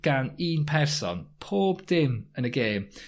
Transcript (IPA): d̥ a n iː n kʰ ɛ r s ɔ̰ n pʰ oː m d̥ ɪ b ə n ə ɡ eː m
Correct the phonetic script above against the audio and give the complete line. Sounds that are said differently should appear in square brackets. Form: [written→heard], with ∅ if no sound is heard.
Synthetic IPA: [d̥→ɡ̥] a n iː n [kʰ→pʰ] ɛ r s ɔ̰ n pʰ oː [m→b] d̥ ɪ [b→m] ə n ə ɡ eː m